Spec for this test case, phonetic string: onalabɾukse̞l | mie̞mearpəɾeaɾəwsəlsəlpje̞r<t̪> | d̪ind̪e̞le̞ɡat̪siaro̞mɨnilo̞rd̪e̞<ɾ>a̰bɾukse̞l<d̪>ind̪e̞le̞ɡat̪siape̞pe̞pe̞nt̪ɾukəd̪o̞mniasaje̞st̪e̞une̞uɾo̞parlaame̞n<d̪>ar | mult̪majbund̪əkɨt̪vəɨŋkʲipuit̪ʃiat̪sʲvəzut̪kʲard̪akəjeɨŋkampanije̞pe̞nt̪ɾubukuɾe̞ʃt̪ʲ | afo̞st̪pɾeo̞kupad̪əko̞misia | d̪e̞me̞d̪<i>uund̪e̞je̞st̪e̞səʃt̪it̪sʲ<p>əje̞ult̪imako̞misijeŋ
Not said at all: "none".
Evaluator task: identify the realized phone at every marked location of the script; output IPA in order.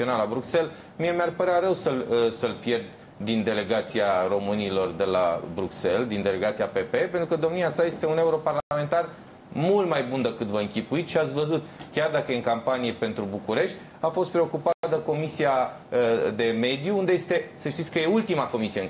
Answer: d̪, l, d̪, t̪, j, k

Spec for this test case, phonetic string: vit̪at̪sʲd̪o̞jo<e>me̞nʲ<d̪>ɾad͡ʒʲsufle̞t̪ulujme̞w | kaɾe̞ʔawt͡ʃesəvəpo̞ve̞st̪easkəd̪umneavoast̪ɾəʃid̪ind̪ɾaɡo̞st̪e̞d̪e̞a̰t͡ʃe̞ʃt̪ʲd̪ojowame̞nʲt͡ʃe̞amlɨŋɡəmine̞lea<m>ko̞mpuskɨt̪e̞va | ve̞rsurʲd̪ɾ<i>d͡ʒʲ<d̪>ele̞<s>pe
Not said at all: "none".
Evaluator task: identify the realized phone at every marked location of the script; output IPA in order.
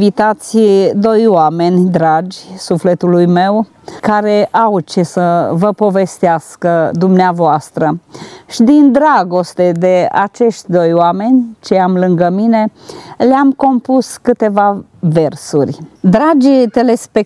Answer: a, d̪, m, a, t̪, s

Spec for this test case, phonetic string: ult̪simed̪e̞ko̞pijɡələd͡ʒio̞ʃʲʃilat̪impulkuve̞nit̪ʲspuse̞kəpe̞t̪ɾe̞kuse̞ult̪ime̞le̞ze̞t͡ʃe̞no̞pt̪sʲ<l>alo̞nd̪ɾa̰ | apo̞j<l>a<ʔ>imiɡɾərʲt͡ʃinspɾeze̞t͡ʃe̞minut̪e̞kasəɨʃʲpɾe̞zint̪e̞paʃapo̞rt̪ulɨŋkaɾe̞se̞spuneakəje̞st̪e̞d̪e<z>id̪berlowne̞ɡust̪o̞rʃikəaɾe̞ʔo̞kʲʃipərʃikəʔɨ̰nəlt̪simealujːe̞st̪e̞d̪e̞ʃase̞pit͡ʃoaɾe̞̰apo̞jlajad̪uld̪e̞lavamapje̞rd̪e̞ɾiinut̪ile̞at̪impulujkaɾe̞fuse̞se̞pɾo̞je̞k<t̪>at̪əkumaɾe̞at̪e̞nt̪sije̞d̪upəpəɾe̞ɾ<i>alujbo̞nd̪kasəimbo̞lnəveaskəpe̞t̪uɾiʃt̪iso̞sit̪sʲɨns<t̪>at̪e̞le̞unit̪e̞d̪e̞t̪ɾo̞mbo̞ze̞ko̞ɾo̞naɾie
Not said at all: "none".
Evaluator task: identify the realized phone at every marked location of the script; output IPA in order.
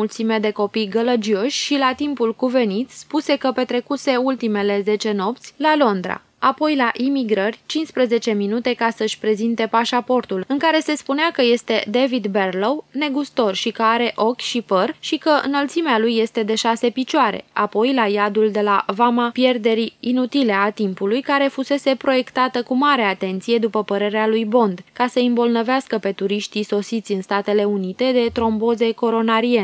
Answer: l, l, ʔ, v, t̪, e, t̪

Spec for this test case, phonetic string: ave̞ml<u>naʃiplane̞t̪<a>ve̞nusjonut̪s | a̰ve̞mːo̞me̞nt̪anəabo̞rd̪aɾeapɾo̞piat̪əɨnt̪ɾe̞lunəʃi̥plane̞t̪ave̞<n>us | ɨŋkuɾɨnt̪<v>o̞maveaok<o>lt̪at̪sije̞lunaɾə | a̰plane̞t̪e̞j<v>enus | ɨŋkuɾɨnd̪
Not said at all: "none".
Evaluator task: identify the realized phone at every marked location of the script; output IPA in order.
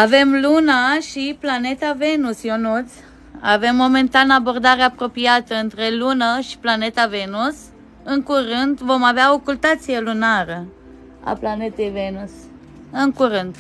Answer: u, a, n, v, u, v

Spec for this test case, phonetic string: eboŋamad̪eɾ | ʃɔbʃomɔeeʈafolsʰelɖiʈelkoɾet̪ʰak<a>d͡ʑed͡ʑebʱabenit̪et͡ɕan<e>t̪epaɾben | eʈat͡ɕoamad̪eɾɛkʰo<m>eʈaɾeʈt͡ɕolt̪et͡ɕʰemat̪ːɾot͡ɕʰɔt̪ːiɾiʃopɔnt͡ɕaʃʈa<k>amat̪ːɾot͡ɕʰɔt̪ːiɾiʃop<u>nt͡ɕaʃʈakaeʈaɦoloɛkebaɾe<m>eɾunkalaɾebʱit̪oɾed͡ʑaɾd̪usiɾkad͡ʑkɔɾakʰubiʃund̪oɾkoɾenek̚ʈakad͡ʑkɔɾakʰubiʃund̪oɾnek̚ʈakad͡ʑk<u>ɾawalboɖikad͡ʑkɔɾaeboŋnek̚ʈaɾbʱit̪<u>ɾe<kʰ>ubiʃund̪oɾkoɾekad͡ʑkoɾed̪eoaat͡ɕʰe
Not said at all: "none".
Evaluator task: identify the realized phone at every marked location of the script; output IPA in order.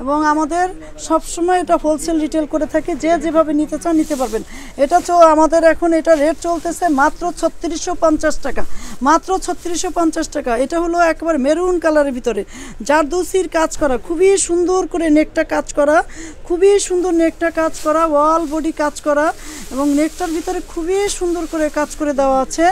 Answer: e, i, n, k, ɔ, m, ɔ, o, kʰ

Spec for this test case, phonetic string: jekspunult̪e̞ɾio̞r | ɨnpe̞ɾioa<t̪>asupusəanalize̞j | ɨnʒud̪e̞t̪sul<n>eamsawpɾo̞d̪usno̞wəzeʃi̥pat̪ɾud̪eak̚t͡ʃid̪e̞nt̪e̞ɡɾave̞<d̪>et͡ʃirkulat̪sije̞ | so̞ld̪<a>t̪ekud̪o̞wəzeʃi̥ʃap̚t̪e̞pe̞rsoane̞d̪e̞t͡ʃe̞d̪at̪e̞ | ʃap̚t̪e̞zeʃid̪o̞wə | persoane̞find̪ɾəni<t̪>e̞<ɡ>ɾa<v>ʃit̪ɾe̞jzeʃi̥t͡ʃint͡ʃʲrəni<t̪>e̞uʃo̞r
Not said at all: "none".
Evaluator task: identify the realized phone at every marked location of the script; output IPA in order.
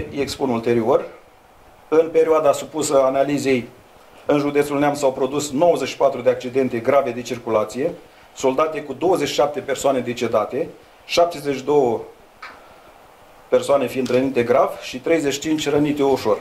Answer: d̪, n, d̪, a, t̪, ɡ, v, t̪

